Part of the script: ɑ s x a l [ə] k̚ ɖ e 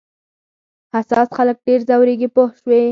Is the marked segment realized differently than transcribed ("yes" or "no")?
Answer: no